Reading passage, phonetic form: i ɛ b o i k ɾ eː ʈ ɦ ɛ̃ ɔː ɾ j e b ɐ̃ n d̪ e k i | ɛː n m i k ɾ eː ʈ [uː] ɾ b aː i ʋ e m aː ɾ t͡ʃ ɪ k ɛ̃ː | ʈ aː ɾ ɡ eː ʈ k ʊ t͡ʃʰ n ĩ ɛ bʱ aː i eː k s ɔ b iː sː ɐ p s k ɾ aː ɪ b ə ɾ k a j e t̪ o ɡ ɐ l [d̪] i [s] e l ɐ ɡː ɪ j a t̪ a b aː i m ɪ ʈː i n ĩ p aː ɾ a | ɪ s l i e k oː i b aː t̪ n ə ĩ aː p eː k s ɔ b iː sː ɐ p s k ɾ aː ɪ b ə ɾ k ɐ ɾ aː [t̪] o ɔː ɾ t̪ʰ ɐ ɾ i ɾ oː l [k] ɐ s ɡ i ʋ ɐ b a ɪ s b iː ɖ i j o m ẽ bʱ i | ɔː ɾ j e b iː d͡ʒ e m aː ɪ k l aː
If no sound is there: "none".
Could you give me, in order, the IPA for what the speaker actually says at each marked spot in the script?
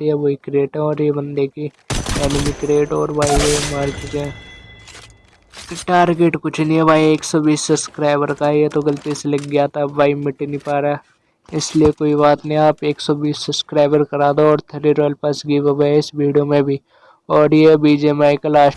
ɔː, t̪, s, d̪, p

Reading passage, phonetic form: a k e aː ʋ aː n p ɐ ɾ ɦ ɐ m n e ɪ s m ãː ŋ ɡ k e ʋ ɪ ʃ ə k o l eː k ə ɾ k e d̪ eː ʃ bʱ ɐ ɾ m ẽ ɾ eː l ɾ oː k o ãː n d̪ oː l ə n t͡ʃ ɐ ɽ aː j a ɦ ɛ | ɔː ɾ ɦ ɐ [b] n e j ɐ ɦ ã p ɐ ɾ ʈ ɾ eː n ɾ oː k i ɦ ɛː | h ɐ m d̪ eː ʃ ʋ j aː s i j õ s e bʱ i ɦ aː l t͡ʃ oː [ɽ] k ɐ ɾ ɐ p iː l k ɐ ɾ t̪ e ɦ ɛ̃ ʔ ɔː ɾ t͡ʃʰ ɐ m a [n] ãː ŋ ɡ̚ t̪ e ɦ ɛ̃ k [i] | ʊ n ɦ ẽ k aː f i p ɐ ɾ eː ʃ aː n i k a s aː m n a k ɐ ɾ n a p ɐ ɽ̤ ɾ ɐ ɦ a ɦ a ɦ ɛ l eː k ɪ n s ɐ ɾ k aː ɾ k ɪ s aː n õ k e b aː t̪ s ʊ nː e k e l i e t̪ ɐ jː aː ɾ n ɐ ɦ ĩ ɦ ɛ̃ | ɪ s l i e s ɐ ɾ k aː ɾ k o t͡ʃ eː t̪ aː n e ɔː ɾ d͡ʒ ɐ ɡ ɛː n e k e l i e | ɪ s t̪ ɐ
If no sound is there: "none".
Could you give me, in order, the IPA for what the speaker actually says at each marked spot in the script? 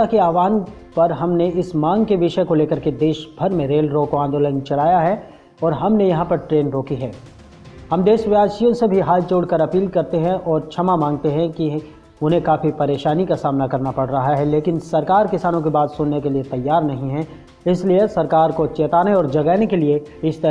m, ɽ, m, i

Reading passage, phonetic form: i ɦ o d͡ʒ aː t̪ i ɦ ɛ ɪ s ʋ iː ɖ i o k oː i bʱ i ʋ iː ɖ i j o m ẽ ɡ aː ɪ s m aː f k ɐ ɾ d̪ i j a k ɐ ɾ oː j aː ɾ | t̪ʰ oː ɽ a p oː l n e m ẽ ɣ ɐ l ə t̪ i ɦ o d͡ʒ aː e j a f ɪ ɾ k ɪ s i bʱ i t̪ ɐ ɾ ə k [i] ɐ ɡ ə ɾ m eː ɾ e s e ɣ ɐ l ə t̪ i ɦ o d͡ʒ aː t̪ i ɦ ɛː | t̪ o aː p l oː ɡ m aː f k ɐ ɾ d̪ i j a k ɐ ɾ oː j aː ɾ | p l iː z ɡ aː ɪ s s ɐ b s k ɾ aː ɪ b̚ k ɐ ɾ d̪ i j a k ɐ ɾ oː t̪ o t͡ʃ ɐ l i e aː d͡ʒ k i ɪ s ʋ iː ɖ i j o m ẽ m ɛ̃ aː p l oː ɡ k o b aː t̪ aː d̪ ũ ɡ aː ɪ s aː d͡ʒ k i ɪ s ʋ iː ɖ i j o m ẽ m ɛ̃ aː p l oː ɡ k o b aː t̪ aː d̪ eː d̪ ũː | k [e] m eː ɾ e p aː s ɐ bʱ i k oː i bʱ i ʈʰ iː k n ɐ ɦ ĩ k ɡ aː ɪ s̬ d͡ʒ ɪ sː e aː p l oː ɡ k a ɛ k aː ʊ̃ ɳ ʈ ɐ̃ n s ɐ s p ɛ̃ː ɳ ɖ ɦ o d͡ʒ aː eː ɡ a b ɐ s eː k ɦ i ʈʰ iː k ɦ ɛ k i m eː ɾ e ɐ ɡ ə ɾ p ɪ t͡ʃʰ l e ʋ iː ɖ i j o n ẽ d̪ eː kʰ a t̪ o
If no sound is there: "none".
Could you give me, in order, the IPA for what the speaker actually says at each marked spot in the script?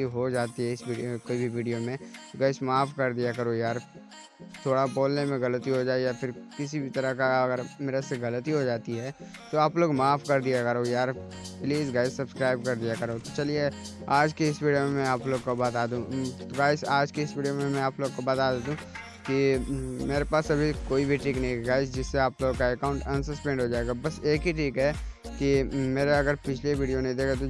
a, i

